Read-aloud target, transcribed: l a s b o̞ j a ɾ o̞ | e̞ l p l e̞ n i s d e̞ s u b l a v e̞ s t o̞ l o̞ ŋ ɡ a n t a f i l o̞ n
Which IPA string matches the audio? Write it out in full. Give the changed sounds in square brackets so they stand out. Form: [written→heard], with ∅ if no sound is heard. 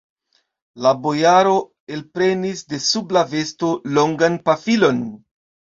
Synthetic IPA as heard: l a [s→∅] b o̞ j a ɾ o̞ | e̞ l p [l→ɾ] e̞ n i s d e̞ s u b l a v e̞ s t o̞ l o̞ ŋ ɡ a n [t→p] a f i l o̞ n